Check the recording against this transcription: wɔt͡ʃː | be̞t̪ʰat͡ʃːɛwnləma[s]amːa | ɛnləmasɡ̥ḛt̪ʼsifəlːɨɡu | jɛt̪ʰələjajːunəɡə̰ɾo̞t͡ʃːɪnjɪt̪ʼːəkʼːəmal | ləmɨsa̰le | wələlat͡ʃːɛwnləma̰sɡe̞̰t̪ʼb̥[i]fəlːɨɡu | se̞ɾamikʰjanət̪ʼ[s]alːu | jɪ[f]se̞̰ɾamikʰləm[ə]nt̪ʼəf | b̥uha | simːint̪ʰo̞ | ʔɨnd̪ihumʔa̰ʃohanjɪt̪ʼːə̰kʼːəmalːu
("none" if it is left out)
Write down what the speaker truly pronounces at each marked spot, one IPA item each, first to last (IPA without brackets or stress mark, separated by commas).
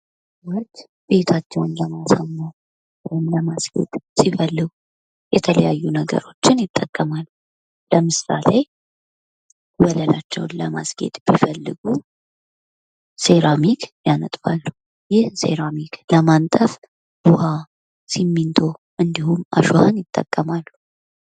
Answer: s, i, f, h, a